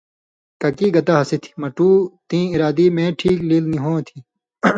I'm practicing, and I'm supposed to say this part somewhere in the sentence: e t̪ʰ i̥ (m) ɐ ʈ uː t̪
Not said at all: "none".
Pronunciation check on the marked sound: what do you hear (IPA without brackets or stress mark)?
m